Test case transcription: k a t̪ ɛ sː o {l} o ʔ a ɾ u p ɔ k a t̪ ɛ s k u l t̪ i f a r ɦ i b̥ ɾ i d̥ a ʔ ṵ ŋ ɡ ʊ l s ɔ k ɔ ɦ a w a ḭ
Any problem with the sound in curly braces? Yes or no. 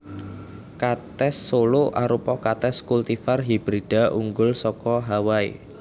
no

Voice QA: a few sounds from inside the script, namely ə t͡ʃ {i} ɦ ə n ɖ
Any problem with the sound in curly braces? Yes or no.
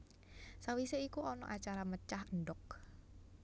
yes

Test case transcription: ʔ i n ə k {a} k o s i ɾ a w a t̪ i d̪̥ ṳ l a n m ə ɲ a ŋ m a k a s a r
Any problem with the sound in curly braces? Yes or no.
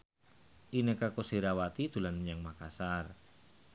no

